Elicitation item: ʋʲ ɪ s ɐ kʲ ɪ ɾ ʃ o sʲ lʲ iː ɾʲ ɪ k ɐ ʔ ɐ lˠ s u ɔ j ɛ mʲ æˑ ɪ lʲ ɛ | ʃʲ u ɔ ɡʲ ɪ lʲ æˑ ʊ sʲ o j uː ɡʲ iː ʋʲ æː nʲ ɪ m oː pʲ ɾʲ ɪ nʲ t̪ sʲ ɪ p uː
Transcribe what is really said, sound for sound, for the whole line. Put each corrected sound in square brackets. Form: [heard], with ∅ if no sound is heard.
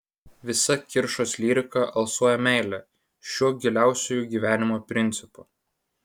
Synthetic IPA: ʋʲ ɪ s ɐ kʲ ɪ ɾ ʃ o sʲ lʲ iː ɾʲ ɪ k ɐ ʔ ɐ lˠ s u ɔ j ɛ mʲ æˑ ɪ lʲ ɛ | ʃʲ u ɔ ɡʲ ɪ lʲ æˑ ʊ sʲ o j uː ɡʲ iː ʋʲ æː nʲ ɪ m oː pʲ ɾʲ ɪ nʲ t̪ sʲ ɪ p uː